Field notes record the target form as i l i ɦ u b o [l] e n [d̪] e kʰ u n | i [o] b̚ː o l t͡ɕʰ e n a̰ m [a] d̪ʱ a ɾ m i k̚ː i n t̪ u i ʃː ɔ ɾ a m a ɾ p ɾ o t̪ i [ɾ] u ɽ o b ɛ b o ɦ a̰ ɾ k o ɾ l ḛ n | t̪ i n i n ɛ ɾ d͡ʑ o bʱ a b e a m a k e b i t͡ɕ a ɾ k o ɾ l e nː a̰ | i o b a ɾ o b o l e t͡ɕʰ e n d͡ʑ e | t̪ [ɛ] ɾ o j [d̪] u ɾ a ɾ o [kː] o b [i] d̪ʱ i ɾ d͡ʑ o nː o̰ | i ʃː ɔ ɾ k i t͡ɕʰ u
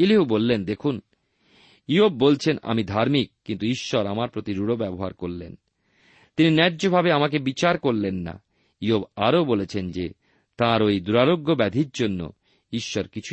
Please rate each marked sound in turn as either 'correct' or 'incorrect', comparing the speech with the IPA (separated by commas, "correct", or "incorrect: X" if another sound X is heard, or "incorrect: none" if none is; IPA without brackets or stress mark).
incorrect: lː, correct, correct, incorrect: i, correct, incorrect: a, correct, incorrect: ɡː, incorrect: ɛ